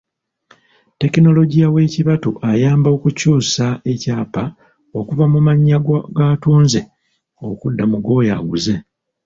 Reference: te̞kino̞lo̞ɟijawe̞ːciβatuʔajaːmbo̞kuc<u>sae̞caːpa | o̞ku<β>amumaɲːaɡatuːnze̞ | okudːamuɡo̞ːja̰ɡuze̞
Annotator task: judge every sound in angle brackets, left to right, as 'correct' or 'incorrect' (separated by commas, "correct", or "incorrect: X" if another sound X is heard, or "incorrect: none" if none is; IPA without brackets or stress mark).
incorrect: uː, incorrect: v